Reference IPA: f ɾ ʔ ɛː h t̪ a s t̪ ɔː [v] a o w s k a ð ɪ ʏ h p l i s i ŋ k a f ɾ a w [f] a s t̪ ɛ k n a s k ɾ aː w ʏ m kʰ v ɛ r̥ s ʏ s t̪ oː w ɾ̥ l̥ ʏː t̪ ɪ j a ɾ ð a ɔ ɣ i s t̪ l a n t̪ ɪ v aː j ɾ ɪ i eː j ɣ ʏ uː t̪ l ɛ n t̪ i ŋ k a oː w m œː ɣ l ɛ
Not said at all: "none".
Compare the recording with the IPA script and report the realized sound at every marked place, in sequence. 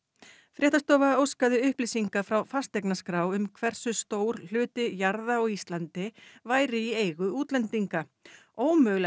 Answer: v, f

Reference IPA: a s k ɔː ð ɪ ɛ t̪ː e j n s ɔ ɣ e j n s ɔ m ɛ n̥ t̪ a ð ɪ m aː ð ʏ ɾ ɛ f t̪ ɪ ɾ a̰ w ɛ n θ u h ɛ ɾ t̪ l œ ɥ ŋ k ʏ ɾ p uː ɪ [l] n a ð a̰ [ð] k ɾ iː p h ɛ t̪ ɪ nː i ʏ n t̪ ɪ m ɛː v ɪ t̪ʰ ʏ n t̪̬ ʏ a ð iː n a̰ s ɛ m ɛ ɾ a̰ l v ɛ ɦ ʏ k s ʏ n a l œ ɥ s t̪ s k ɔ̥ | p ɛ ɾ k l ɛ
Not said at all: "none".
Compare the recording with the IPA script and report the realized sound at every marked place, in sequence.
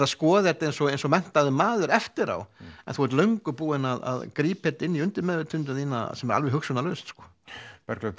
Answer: none, ð

